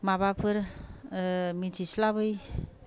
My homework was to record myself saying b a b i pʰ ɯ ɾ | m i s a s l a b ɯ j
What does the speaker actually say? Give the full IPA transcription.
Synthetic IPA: m a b a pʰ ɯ ɾ | m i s i s l a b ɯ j

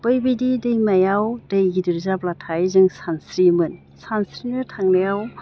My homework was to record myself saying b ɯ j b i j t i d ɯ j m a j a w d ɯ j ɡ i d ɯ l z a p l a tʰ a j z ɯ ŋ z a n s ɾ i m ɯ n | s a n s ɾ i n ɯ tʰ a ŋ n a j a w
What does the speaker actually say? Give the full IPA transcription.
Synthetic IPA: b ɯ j b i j d i d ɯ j m a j a w d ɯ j ɡ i d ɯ ɾ z a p l a tʰ a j z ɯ ŋ s a n s ɾ i m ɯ n | s a n s ɾ i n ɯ tʰ a ŋ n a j a w

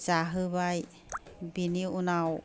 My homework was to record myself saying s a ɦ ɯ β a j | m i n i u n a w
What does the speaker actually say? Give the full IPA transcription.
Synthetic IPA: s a ɦ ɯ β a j | b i n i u n a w

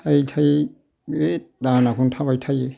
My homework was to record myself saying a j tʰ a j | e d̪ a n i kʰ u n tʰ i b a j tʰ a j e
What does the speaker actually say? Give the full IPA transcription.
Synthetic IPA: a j tʰ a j | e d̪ a n a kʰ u n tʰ a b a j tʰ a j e

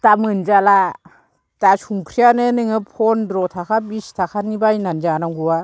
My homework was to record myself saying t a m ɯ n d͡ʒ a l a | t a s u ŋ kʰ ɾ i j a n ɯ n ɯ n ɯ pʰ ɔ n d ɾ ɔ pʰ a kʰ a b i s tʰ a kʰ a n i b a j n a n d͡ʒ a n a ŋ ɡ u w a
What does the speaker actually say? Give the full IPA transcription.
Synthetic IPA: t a m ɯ n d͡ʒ a l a | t a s u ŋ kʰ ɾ i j a n ɯ n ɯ ŋ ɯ pʰ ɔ n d ɾ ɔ tʰ a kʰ a b i s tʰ a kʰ a n i b a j n a n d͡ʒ a n a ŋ ɡ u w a

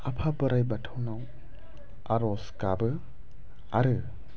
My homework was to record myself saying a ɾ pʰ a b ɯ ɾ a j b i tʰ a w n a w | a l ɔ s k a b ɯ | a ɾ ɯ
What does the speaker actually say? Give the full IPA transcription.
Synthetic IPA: a pʰ a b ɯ ɾ a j b a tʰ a w n a w | a ɾ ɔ s k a b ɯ | a ɾ ɯ

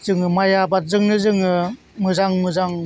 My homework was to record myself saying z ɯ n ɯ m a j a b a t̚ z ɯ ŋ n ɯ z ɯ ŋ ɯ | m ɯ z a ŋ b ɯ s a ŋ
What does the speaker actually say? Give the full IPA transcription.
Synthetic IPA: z ɯ ŋ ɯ m a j a b a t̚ z ɯ ŋ n ɯ z ɯ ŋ ɯ | m ɯ z a ŋ m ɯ z a ŋ

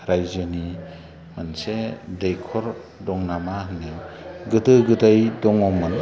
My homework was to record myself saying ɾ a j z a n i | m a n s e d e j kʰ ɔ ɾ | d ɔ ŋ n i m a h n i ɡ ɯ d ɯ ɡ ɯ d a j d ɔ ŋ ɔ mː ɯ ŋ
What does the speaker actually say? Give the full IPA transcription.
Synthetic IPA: ɾ a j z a n i | m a n s e d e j kʰ ɔ ɾ | d ɔ ŋ n a m a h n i ɡ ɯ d ɯ ɡ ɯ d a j d ɔ ŋ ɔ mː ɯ n

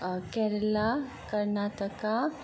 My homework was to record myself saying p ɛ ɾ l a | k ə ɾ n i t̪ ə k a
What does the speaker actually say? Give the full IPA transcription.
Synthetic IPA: k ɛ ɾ l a | k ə ɾ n a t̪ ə k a

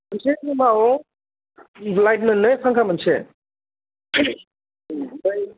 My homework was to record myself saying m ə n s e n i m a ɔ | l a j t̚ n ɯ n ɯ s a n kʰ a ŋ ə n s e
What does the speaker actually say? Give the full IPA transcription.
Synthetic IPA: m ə n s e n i m a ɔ | l a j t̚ n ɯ n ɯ s a ŋ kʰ a m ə n s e

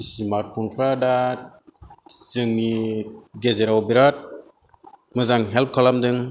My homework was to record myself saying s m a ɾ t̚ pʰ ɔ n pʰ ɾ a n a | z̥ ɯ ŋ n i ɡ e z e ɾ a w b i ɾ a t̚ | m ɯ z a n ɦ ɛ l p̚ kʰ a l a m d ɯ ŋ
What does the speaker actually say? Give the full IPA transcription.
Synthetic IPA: s m a ɾ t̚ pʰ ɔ n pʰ ɾ a d a | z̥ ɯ ŋ n i ɡ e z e ɾ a w b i ɾ a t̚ | m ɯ z a ŋ ɦ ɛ l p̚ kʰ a l a m d ɯ ŋ

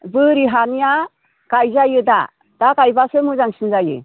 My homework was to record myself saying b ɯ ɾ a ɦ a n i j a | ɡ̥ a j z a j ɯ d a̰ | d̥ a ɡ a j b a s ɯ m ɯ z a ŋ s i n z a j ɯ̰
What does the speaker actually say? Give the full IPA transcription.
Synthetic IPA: b ɯ ɾ i ɦ a n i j a | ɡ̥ a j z a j ɯ d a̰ | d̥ a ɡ a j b a s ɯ m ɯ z a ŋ s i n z a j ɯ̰

